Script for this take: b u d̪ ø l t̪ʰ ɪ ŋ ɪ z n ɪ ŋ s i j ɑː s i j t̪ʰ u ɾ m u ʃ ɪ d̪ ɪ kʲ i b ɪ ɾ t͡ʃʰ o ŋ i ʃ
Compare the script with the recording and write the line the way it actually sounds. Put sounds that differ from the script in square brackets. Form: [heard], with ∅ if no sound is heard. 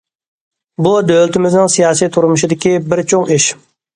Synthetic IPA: b u d̪ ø l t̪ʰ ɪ [m] ɪ z n ɪ ŋ s i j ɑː s i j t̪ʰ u ɾ m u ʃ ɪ d̪ ɪ kʲ i b ɪ ɾ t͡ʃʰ o ŋ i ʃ